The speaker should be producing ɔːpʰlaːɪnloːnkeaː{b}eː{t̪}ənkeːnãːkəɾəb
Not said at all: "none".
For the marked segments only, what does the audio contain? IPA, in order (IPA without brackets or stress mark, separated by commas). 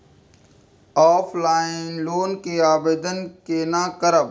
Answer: b, d̪